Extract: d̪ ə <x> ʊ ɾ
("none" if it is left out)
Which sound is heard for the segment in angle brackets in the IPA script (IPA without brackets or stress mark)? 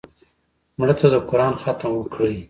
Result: k